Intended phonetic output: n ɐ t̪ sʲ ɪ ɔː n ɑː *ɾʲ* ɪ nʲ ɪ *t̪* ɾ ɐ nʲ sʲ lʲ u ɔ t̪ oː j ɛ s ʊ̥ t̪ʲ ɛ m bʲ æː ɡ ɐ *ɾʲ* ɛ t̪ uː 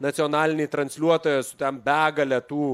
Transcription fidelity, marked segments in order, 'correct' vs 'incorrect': incorrect: lʲ, correct, incorrect: lʲ

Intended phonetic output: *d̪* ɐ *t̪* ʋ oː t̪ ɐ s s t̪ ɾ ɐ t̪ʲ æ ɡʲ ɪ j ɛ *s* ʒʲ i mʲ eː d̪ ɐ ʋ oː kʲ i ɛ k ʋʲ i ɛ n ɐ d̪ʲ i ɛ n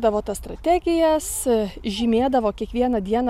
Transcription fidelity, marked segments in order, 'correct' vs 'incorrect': correct, incorrect: none, correct

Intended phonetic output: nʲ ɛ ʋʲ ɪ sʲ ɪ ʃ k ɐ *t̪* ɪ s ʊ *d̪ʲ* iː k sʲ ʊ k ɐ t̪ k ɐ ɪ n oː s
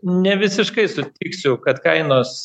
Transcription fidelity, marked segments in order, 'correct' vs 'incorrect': incorrect: none, incorrect: t̪ʲ

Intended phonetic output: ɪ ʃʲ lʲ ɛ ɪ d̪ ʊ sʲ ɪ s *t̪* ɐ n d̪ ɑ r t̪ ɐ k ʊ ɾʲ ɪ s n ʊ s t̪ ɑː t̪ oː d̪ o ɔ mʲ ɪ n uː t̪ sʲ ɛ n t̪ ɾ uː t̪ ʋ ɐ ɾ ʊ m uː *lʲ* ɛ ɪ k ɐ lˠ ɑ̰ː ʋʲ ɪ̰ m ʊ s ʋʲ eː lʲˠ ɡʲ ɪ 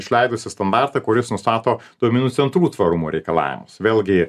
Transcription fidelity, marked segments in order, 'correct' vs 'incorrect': correct, incorrect: ɾʲ

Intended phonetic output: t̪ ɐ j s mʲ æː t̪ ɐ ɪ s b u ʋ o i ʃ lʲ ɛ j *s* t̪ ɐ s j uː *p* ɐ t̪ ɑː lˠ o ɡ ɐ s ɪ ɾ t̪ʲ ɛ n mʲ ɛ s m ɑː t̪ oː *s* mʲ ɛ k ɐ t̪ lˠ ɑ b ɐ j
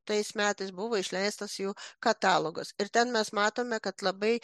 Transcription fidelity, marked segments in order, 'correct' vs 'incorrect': correct, incorrect: k, incorrect: none

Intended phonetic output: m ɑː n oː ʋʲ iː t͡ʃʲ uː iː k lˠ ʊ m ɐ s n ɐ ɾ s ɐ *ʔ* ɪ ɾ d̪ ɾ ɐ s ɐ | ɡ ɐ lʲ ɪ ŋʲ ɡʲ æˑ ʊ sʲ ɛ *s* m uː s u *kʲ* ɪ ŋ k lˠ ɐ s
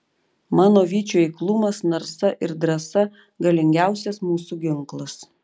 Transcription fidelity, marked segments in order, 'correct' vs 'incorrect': correct, correct, incorrect: ɡʲ

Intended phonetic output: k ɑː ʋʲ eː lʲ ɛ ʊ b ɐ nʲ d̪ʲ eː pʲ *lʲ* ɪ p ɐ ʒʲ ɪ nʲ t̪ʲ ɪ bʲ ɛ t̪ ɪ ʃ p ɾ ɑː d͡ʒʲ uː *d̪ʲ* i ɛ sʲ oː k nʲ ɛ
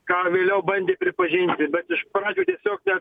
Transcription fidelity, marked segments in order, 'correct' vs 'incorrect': incorrect: ɾʲ, incorrect: t̪ʲ

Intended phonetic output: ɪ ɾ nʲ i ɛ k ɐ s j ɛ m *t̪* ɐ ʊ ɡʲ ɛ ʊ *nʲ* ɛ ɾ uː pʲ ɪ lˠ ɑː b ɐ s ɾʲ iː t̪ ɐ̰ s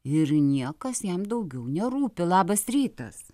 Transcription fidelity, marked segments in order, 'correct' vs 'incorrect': incorrect: d̪, correct

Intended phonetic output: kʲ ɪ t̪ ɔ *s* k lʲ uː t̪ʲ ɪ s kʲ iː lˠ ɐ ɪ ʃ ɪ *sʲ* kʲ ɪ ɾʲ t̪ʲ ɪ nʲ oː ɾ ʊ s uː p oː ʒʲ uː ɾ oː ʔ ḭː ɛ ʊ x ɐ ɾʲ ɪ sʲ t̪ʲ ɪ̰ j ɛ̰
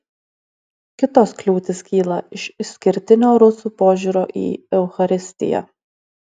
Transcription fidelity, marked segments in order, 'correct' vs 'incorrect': correct, correct

